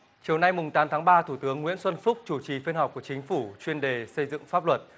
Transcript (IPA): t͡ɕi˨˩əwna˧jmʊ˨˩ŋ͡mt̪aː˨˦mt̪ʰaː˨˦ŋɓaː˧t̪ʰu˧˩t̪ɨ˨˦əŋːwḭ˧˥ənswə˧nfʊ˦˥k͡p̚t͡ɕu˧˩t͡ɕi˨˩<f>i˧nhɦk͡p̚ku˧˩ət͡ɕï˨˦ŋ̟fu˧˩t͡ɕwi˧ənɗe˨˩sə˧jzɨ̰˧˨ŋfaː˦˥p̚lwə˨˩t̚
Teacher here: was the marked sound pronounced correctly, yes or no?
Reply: yes